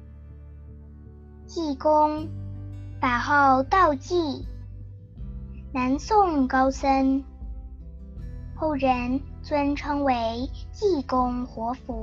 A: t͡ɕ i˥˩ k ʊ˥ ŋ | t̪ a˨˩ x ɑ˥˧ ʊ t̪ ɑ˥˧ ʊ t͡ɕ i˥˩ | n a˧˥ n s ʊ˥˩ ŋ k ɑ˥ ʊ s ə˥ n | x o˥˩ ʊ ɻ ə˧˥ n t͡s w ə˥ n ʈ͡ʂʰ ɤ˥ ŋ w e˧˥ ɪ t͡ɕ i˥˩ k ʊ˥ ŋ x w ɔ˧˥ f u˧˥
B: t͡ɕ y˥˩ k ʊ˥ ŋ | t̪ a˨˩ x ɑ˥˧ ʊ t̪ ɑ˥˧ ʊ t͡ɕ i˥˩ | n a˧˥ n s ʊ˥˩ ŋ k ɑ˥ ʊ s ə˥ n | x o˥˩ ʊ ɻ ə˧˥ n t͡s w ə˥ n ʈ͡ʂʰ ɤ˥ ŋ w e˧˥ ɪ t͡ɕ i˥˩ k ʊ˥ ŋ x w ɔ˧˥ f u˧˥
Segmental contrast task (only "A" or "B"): A